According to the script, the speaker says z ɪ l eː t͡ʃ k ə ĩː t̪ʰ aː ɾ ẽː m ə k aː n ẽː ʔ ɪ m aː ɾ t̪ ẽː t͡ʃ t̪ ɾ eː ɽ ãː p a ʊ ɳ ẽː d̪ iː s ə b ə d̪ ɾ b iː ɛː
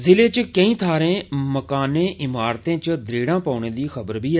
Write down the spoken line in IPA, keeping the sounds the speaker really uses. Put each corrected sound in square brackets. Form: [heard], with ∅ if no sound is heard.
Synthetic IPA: z ɪ l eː t͡ʃ k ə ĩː t̪ʰ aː ɾ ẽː m ə k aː n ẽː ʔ ɪ m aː ɾ t̪ ẽː t͡ʃ [d̪] ɾ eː ɽ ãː p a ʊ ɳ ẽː d̪ iː [x] ə b ə [∅] ɾ b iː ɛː